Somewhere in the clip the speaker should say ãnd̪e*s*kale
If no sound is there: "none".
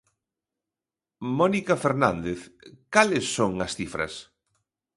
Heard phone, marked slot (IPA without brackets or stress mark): θ